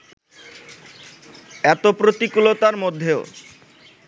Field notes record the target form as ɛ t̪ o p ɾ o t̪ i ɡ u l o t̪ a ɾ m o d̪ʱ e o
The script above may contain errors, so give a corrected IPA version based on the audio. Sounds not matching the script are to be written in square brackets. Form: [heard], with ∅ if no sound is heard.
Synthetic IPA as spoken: ɛ t̪ o p ɾ o t̪ i [k] u l o t̪ a ɾ m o [d̪ʱː] e o